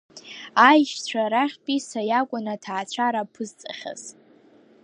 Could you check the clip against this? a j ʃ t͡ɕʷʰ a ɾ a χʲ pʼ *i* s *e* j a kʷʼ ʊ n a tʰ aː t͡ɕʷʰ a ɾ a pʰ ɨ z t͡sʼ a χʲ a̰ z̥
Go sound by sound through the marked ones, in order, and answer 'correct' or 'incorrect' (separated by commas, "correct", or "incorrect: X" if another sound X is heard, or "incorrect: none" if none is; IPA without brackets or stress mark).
correct, incorrect: a